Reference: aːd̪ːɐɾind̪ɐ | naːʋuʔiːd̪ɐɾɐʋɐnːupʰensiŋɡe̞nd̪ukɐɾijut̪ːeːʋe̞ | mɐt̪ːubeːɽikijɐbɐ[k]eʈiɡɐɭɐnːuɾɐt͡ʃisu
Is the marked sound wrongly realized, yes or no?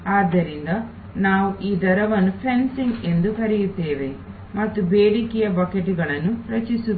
no